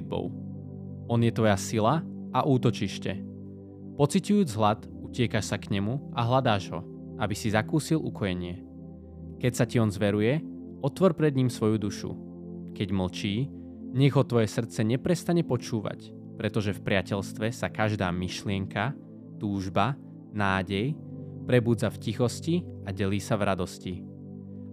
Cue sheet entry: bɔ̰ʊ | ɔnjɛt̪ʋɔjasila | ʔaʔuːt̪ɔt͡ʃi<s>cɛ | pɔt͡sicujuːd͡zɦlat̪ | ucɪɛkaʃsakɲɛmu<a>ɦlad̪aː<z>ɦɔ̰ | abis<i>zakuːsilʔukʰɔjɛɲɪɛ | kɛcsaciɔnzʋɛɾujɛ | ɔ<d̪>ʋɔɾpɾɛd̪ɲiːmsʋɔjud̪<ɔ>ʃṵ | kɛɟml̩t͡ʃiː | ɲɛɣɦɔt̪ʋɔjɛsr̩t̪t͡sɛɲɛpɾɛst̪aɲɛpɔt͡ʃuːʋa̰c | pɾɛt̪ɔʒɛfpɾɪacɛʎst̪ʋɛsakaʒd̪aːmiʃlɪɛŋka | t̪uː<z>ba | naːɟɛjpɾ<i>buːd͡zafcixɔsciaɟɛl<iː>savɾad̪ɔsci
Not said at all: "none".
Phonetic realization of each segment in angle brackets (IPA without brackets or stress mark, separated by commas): ʃ, a, ʒ, i, t̪, u, ʒ, ɛ, iː